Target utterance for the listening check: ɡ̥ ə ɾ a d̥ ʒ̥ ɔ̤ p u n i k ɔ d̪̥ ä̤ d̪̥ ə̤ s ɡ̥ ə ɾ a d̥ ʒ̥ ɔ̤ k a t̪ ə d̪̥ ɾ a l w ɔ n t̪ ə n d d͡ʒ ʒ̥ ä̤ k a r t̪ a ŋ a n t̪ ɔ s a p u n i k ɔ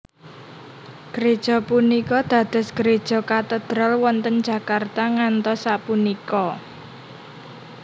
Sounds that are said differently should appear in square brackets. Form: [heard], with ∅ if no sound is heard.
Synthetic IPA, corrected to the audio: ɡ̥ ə ɾ [e] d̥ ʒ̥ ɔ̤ p u n i k ɔ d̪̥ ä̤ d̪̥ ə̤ s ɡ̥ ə ɾ [e] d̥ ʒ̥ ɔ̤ k a t̪ ə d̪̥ ɾ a l w ɔ n t̪ ə n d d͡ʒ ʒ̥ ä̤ k a r t̪ a ŋ a n t̪ ɔ s a p u n i k ɔ